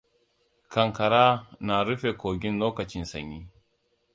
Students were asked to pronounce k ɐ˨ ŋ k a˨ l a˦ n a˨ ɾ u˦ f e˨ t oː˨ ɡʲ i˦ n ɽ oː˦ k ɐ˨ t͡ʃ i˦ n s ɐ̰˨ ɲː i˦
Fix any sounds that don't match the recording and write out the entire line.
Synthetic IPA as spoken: k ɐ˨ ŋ k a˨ ɾ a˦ n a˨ ɾ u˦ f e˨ k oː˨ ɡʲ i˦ n l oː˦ k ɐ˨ t͡ʃ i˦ n s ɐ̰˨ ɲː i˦